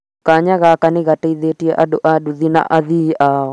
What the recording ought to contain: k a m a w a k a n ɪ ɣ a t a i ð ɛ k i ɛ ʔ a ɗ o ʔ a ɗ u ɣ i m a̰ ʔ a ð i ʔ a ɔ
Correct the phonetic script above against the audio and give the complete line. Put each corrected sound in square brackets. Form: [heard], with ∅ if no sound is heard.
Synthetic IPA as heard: k a [ɲ] a [ɣ] a k a n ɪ ɣ a t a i ð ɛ [t] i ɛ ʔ a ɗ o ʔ a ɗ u [ð] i [n] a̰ ʔ a ð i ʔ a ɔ